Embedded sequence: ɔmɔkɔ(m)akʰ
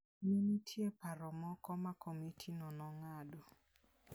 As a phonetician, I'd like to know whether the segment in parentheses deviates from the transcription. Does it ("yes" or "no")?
no